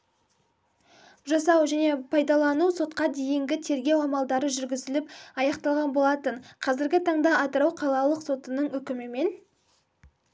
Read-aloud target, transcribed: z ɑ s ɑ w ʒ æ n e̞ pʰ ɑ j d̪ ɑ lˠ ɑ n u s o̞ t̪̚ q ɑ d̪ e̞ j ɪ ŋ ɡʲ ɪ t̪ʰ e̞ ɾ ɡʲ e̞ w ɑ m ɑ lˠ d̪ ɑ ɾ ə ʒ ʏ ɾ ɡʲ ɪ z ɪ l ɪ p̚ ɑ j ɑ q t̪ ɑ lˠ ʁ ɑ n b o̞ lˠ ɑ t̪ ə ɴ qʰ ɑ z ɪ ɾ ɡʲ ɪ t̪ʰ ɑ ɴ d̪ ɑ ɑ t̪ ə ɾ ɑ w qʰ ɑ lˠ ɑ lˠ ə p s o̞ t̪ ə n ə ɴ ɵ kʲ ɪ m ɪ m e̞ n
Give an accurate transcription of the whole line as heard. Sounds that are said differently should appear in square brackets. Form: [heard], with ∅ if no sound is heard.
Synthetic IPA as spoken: [ʒ] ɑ s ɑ w ʒ æ n e̞ pʰ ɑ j d̪ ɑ lˠ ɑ n u s o̞ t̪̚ q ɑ d̪ e̞ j ɪ ŋ ɡʲ ɪ t̪ʰ e̞ ɾ ɡʲ e̞ w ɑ m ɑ lˠ d̪ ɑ ɾ ə ʒ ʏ ɾ ɡʲ ɪ z ɪ l ɪ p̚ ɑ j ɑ q t̪ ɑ lˠ ʁ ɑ n b o̞ lˠ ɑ t̪ ə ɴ qʰ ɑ z ɪ ɾ ɡʲ ɪ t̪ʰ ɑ ɴ d̪ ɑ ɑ t̪ ə ɾ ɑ w qʰ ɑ lˠ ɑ lˠ ə [q] s o̞ t̪ ə n ə ɴ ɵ kʲ ɪ m ɪ m e̞ n